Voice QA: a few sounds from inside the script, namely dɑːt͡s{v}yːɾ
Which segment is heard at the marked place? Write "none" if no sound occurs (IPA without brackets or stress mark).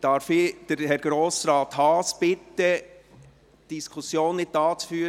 f